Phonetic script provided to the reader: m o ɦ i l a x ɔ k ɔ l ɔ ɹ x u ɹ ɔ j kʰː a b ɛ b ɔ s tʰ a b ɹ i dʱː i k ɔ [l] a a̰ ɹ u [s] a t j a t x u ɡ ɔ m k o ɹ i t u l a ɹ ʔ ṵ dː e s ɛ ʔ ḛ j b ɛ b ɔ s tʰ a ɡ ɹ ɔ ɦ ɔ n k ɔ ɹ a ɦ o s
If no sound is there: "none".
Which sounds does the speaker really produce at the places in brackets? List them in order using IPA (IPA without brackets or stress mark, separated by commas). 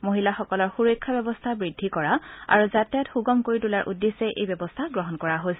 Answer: ɹ, z